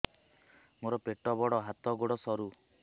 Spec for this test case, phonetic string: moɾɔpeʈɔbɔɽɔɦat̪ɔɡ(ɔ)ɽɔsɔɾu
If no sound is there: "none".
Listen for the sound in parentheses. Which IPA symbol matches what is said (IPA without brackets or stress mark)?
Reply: o